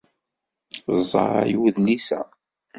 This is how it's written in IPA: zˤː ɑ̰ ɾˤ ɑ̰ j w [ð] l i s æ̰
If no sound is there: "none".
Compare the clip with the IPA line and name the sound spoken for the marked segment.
ð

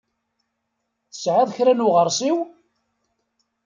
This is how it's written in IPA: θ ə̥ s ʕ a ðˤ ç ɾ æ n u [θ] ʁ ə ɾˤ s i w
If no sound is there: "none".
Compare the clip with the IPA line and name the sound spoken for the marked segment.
none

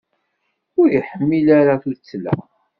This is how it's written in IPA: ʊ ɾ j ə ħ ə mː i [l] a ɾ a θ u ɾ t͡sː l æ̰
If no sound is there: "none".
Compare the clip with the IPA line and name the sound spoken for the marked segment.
l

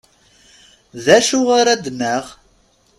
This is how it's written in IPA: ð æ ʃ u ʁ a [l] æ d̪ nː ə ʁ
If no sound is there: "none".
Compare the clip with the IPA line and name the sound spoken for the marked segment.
ɾ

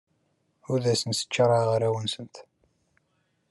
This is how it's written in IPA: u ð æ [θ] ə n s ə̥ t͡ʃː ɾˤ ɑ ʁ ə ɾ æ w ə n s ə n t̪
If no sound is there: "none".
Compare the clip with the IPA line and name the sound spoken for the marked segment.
s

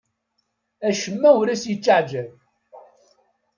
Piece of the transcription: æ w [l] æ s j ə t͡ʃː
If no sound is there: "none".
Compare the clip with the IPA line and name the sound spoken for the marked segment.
ɾ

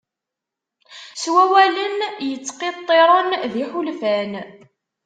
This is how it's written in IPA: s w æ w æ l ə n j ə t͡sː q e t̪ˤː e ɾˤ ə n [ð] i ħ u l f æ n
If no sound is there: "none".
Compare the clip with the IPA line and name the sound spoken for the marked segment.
ð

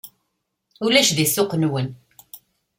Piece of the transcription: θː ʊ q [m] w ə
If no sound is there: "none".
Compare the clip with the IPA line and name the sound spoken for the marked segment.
n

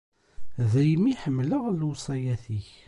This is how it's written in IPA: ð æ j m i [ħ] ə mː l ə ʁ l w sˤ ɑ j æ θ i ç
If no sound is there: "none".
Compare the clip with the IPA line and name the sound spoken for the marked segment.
ħ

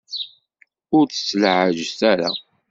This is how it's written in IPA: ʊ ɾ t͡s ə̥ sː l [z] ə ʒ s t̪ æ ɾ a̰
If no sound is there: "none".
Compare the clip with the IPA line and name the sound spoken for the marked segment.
ʕ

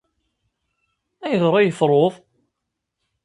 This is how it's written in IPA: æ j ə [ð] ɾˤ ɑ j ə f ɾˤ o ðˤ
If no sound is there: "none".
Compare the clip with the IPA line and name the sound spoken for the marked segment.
ð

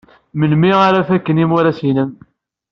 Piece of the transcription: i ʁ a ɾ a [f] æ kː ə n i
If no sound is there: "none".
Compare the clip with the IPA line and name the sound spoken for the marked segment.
f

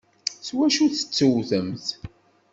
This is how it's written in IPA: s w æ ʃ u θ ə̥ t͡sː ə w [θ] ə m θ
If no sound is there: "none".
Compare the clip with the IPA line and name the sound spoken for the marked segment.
θ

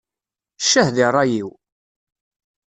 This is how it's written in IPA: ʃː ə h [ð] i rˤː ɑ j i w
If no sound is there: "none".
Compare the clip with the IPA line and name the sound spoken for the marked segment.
ð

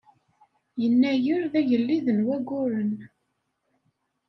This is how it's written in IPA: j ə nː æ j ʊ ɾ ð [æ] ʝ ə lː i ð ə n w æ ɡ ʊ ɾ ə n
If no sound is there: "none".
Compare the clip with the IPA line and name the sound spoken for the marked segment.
æ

